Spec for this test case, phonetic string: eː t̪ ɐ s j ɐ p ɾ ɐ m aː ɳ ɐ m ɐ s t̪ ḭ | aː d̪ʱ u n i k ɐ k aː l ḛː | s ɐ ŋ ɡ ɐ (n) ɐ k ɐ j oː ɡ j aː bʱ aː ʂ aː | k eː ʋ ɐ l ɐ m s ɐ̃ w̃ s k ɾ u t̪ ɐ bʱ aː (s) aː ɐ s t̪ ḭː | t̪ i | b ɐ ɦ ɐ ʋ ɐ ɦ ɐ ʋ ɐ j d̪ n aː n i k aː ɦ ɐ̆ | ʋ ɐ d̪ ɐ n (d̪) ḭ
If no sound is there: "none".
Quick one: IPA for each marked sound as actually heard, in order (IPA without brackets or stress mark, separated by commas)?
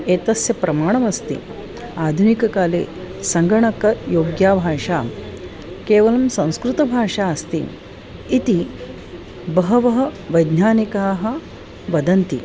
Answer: ɳ, ʂ, t̪